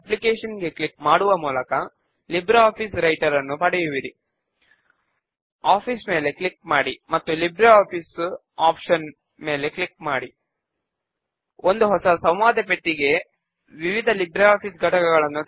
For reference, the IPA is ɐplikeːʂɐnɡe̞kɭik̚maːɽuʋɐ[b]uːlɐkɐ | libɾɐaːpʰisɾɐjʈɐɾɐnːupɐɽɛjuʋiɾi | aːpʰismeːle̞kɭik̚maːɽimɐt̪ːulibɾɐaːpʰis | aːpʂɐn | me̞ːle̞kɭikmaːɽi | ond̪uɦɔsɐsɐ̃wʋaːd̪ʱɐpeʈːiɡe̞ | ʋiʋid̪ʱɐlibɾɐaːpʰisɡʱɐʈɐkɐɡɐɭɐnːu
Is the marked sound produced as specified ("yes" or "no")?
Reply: no